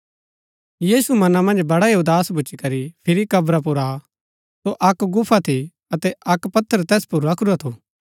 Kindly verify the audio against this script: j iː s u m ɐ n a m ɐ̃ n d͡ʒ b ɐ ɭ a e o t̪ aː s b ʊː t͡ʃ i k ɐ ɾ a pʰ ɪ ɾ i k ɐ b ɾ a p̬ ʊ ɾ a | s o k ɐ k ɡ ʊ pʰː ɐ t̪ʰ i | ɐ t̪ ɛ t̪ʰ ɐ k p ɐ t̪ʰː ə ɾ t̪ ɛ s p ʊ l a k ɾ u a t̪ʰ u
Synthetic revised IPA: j iː s u m ɐ n a m ɐ̃ n d͡ʒ b ɐ ɽ a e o d̪ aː s b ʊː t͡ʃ i k ɐ ɾ i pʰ ɪ ɾ i k ɐ b ɾ a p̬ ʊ ɾ a | s o ʔ ɐ k ɡ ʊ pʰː a t̪ʰ i | ɐ t̪ ɛ ɐ k p ɐ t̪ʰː ə ɾ t̪ ɛː s p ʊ ɾ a k ɾ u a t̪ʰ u